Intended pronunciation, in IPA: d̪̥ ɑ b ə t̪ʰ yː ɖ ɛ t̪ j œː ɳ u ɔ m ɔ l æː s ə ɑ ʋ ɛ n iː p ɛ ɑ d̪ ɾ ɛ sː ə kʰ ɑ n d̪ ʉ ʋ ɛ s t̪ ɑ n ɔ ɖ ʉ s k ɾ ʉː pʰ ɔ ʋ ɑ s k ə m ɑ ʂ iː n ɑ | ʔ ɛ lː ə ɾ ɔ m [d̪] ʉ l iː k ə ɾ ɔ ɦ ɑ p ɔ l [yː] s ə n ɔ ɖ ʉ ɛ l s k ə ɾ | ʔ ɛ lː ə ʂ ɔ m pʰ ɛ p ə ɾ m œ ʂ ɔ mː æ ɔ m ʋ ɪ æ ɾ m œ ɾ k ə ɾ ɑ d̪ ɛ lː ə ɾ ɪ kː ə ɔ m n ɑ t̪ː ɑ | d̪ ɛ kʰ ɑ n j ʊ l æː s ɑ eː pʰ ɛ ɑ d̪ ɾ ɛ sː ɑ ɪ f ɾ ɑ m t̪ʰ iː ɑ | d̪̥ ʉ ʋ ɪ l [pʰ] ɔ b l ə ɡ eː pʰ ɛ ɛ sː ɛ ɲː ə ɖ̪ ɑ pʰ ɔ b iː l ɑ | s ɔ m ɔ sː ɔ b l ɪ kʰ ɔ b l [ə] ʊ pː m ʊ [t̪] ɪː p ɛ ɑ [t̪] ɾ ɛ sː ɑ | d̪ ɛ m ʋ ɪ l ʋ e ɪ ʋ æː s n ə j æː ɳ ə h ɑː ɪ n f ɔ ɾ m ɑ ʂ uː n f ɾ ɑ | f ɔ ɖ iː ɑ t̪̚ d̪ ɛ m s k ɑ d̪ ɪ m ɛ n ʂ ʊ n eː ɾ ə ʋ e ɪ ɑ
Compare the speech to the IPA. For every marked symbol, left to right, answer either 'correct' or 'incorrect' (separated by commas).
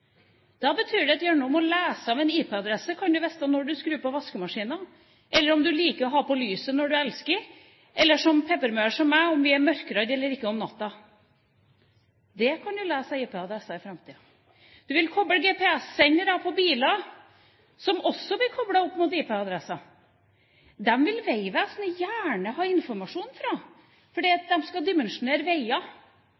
correct, correct, incorrect, incorrect, correct, incorrect